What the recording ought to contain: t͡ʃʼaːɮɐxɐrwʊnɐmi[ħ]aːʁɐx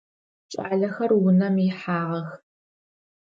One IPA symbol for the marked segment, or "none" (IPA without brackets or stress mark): ħ